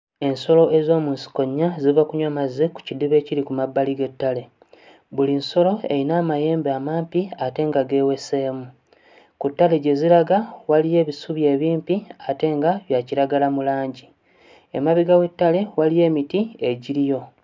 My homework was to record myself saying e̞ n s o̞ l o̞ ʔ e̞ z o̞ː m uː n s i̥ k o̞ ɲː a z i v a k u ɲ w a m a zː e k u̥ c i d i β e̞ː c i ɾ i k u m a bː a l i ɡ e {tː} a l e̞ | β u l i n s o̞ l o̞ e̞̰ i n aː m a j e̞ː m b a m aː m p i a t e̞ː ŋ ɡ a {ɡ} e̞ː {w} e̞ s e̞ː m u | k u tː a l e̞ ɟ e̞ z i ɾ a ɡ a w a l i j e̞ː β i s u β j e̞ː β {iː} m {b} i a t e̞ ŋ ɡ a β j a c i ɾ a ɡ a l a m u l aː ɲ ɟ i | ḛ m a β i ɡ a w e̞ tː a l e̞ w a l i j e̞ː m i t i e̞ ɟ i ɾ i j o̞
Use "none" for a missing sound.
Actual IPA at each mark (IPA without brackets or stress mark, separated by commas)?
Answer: tː, ɡ, w, iː, p